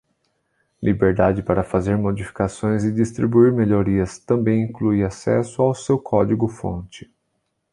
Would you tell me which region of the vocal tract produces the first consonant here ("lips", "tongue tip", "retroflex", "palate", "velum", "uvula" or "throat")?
tongue tip